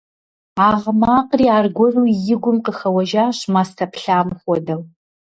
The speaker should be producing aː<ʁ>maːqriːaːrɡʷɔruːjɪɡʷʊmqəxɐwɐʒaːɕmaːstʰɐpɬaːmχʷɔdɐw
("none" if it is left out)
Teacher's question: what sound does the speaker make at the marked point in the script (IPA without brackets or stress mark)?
ʁ